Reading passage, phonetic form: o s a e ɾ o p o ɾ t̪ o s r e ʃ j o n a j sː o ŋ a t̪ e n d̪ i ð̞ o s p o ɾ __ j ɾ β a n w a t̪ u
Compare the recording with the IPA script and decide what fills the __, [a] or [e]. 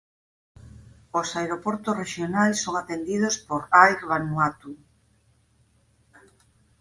a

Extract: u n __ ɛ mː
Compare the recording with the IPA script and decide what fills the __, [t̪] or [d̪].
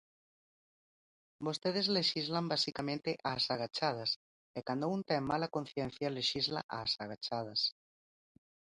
t̪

